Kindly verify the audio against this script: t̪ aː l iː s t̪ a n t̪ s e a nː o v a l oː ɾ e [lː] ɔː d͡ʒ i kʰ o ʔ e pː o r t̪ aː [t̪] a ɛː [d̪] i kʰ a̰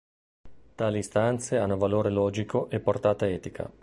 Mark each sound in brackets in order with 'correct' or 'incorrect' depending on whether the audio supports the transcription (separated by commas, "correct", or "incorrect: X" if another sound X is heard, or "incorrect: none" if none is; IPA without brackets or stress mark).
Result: incorrect: l, correct, incorrect: t̪